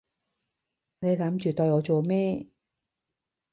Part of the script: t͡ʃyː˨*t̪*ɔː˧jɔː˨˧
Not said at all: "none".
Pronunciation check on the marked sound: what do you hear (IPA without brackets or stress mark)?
t̪